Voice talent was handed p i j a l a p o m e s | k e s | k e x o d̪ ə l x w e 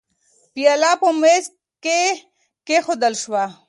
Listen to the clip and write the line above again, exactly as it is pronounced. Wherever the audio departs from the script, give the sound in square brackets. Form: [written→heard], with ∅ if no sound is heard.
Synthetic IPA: p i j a l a p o m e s | k e [s→∅] | k e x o d̪ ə l [x→ʃ] w [e→a]